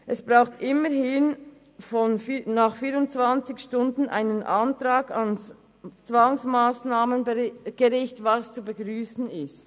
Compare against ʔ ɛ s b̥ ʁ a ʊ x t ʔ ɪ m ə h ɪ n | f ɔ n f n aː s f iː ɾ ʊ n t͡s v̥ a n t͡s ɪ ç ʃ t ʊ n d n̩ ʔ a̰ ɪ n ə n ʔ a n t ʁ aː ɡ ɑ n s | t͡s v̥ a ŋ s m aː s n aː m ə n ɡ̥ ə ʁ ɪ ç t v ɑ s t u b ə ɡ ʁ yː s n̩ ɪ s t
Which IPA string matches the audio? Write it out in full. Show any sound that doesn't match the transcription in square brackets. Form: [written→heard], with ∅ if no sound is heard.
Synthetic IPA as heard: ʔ ɛ s b̥ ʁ a ʊ x t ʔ ɪ m ə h ɪ n | f ɔ n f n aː [s→χ] f iː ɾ ʊ n t͡s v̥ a n t͡s ɪ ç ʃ t ʊ n d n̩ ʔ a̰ ɪ n ə n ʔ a n t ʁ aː ɡ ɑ n s | t͡s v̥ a ŋ s m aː s n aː m ə n ɡ̥ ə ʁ ɪ ç t v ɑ s [t→t͡s] u b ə ɡ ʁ yː s n̩ ɪ s t